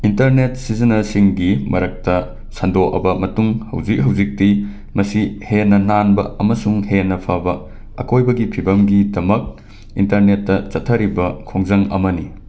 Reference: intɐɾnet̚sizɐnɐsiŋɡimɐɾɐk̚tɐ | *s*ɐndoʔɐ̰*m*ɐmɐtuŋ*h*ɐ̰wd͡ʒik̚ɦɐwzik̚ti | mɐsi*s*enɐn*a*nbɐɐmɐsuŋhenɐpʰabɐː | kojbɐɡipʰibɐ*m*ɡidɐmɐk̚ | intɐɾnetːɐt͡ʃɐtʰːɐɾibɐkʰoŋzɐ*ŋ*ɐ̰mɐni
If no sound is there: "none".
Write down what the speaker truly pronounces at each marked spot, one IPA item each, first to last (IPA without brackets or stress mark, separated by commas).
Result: s, b, h, h, a, m, ŋ